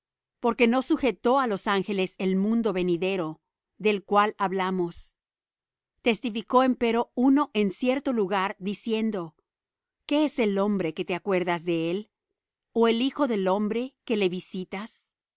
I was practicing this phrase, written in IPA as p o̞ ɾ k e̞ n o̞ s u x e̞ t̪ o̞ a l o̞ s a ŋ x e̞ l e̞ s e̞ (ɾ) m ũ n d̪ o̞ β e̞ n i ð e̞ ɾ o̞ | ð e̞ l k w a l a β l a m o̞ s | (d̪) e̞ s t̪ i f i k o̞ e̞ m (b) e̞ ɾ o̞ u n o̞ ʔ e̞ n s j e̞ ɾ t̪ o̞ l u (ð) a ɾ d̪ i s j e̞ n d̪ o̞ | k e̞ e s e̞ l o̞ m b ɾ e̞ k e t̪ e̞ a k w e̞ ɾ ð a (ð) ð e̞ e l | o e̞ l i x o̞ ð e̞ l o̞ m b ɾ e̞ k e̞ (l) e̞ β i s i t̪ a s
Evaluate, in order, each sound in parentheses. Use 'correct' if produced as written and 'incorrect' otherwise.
incorrect: l, incorrect: t̪, incorrect: p, incorrect: ɣ, incorrect: z, correct

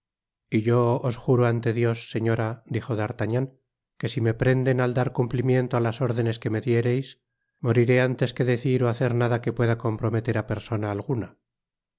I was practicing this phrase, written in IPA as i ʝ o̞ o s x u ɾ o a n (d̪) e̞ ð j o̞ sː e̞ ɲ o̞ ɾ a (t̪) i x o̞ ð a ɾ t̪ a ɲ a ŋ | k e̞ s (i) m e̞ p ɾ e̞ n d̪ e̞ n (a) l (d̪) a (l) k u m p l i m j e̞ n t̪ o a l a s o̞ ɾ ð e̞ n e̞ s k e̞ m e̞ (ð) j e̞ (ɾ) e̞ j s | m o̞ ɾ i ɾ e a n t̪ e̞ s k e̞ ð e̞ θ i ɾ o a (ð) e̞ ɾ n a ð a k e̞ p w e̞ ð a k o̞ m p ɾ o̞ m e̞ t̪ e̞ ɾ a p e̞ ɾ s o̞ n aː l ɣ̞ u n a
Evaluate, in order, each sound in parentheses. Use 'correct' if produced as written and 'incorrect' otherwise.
incorrect: t̪, incorrect: d̪, correct, correct, correct, incorrect: ɾ, correct, correct, incorrect: θ

